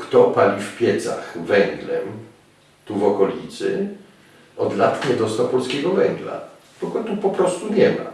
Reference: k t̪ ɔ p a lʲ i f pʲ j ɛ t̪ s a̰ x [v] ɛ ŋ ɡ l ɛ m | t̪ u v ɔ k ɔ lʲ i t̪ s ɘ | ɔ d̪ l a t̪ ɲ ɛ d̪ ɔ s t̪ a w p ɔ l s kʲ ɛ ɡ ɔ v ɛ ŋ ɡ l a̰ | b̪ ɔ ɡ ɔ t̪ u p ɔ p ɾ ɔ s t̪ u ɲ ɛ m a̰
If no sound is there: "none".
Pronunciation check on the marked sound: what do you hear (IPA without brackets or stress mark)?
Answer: v